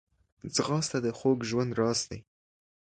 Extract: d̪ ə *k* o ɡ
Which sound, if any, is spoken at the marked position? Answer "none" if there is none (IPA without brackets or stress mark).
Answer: x